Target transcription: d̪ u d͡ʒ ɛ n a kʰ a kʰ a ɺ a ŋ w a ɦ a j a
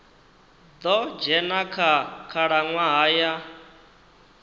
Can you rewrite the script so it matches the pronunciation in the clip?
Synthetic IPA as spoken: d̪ ɔ d͡ʒ ɛ n a kʰ a kʰ a ɺ a ŋ w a ɦ a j a